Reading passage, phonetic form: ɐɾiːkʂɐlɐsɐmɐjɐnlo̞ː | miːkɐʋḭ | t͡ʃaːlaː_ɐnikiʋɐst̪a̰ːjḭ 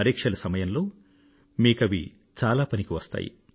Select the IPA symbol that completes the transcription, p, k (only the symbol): p